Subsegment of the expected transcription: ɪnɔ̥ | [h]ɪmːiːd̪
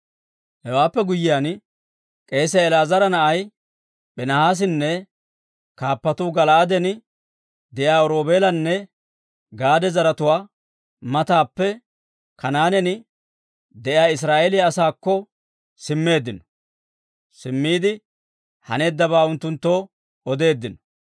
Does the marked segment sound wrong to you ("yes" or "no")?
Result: yes